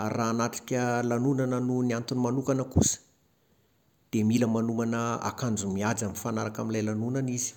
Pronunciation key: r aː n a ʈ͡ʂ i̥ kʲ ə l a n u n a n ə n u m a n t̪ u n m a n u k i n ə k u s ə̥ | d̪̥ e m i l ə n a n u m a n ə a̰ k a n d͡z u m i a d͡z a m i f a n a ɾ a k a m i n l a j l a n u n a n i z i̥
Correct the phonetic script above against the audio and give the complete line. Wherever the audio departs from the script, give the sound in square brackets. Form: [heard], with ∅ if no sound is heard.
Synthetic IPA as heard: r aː n a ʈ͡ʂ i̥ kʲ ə l a n u n a n ə n u [n] a n t̪ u n m a n u k [a] n ə k u s ə̥ | d̪̥ e m i l ə [m] a n u m a n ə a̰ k a n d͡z u m i a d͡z a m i f a n a ɾ a k a m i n l a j l a n u n a n i z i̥